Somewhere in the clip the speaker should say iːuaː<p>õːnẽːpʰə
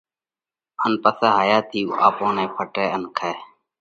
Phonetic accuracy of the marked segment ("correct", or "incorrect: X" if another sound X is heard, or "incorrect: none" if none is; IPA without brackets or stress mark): correct